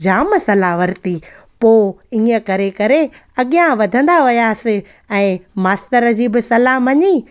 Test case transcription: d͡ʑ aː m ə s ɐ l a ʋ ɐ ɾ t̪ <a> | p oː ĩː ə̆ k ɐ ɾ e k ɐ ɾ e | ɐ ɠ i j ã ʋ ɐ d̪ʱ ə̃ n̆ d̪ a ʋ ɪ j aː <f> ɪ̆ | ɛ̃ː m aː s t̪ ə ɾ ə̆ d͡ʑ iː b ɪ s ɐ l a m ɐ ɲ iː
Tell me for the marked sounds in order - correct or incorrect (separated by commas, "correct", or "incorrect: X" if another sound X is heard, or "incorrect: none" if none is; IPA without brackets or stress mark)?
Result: incorrect: i, incorrect: s